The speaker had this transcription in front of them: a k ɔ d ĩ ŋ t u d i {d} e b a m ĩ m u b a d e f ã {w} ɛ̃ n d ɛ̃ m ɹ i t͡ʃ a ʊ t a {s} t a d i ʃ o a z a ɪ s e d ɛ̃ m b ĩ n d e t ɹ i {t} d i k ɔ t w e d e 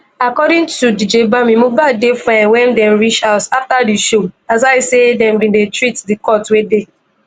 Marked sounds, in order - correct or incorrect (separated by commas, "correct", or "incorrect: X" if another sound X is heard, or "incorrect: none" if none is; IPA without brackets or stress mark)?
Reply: incorrect: d͡ʒ, correct, incorrect: f, correct